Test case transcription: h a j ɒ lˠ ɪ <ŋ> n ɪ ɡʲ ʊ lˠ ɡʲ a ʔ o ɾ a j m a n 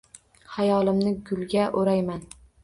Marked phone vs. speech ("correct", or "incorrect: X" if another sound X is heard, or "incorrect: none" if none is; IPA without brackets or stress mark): incorrect: m